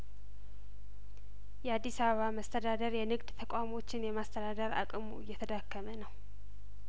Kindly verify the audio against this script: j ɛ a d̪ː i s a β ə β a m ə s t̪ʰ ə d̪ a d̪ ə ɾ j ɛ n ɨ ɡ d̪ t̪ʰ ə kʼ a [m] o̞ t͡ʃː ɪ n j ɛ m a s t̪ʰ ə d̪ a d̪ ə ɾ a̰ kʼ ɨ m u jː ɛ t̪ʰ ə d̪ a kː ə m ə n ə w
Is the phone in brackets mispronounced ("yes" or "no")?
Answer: no